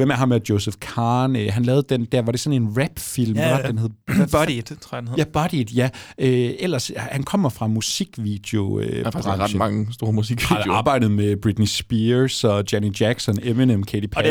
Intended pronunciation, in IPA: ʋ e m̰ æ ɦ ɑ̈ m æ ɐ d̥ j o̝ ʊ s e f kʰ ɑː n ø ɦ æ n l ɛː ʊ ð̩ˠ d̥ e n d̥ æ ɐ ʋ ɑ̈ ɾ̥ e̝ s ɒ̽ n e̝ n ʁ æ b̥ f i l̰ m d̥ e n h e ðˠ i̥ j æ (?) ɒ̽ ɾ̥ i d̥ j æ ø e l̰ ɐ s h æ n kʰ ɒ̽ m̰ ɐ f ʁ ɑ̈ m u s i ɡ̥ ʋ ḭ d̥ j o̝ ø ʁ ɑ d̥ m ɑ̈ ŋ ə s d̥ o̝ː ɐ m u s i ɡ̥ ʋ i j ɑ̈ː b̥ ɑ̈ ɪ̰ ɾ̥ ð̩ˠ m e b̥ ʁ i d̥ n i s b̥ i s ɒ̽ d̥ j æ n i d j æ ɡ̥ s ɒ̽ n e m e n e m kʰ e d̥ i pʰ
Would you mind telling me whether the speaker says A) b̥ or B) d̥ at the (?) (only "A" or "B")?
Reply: A